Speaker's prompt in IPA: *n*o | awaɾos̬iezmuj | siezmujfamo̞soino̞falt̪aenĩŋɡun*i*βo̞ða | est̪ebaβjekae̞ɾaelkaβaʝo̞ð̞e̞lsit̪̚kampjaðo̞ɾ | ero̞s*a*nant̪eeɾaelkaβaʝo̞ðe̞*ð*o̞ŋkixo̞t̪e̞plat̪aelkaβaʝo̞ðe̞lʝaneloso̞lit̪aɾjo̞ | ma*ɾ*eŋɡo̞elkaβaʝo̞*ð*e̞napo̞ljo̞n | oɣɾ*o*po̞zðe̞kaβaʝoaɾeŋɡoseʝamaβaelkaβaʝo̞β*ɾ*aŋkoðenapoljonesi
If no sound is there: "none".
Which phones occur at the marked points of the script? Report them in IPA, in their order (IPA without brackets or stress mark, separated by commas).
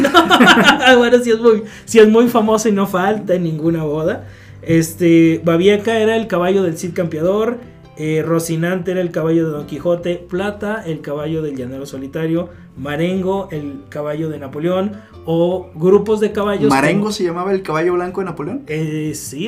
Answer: n, a, i, ð, ɾ, ð, u, l